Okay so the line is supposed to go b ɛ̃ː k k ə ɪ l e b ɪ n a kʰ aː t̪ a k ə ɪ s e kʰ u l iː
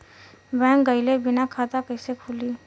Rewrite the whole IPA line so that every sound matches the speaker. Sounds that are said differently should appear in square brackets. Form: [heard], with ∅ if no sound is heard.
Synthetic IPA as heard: b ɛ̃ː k [ɡ] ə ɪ l e b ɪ n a kʰ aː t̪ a k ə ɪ s e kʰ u l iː